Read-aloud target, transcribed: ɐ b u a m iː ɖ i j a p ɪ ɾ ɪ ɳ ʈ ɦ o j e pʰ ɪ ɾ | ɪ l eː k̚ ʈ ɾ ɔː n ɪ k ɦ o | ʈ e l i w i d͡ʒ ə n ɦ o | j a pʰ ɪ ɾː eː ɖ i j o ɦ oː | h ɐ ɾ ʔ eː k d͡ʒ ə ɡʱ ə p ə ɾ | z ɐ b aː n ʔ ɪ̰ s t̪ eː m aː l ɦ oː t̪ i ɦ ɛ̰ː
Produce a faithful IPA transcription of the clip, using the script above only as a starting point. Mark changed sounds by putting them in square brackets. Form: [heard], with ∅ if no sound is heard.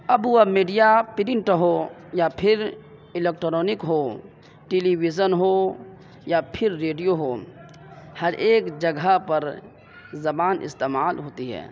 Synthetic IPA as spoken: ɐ b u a m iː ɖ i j a p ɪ ɾ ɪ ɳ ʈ ɦ o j [a] pʰ ɪ ɾ | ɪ l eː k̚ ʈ ɾ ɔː n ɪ k ɦ o | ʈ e l i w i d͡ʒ ə n ɦ o | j a pʰ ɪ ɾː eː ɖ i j o ɦ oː | h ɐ ɾ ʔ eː k d͡ʒ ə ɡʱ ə p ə ɾ | z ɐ b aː n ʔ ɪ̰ s t̪ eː m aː l ɦ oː t̪ i ɦ ɛ̰ː